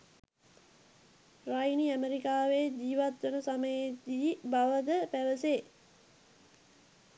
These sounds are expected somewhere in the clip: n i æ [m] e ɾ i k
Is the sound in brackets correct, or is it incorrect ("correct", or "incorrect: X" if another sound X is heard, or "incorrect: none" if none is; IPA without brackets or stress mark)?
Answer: correct